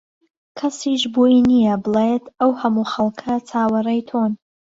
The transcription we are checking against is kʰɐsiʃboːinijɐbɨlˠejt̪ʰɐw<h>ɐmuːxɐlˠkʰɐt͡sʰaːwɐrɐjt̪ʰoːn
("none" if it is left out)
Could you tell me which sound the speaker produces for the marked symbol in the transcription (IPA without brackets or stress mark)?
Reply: h